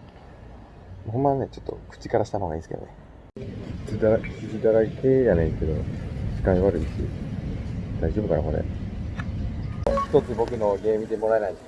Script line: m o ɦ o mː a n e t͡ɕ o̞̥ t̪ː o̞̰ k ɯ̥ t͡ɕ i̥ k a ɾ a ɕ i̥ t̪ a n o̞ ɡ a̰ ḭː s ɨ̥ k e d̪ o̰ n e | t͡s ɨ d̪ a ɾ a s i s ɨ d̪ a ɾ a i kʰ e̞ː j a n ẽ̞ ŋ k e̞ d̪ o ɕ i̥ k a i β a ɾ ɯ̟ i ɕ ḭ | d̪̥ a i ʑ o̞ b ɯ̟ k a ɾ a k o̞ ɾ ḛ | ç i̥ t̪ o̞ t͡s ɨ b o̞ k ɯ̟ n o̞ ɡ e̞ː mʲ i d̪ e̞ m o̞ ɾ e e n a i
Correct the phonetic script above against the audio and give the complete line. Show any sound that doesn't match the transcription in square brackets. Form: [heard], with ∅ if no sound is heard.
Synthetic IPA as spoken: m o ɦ o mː a n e t͡ɕ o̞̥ t̪ː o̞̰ k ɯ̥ t͡ɕ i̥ k a ɾ a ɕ i̥ t̪ a n o̞ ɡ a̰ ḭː s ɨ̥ k e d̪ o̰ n e | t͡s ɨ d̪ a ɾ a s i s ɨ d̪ a ɾ a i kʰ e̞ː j a n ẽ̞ ŋ k e̞ d̪ o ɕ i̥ k a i β a ɾ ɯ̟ i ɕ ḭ | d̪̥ a i ʑ o̞ b ɯ̟ k a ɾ a k o̞ ɾ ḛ | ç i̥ t̪ o̞ t͡s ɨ b o̞ k ɯ̟ n o̞ ɡ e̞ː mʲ i d̪ e̞ m o̞ ɾ [a] e n a i